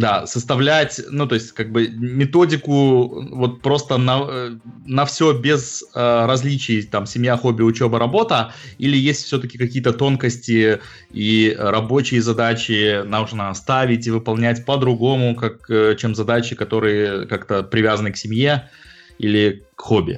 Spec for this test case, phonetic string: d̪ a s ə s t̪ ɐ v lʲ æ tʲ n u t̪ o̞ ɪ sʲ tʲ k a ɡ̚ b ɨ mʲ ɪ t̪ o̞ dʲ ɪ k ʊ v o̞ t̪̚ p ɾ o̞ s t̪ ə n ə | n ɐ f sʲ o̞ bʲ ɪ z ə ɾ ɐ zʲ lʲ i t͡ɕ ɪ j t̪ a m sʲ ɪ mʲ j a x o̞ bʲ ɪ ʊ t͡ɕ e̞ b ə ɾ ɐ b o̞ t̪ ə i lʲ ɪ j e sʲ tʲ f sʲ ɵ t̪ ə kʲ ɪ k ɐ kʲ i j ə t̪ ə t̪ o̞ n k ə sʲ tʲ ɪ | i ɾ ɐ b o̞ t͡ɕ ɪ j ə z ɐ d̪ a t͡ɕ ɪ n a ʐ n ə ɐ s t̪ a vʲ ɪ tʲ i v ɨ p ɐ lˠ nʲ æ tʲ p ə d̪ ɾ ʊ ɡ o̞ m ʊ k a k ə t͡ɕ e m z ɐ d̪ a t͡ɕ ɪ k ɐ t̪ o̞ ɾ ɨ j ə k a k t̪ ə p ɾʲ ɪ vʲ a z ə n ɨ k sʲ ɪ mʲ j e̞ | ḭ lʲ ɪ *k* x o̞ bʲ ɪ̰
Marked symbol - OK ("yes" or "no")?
yes